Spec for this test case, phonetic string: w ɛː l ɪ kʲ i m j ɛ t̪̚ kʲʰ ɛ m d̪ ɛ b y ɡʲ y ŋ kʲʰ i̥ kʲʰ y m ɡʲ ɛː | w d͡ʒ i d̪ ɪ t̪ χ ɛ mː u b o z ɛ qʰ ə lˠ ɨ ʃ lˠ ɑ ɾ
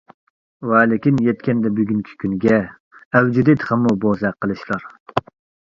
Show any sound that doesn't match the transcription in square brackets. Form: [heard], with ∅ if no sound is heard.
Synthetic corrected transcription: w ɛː l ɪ kʲ i [n] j ɛ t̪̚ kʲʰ ɛ [n] d̪ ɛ b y ɡʲ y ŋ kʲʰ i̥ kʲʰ y [n] ɡʲ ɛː | w d͡ʒ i d̪ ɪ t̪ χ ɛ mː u b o z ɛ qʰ ə lˠ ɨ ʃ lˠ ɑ ɾ